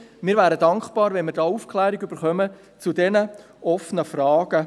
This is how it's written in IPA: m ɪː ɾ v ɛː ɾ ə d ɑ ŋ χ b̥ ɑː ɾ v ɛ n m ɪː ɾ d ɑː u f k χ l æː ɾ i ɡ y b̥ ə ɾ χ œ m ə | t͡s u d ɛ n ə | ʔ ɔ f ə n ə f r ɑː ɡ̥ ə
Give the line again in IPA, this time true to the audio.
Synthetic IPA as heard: m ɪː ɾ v æː ɾ ə d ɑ ŋ χ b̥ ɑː ɾ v ɛ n m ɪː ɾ d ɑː u f k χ l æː ɾ i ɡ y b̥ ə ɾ χ œ m ə | t͡s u d ɛ n ə | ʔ ɔ f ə n ə f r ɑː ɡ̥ ə